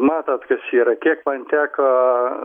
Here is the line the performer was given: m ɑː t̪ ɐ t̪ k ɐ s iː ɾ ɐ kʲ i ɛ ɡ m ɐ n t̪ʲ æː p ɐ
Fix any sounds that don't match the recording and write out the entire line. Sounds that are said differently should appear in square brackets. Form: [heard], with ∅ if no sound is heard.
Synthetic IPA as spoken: m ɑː t̪ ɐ t̪ k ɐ s iː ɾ ɐ kʲ i ɛ [k] m ɐ n t̪ʲ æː [k] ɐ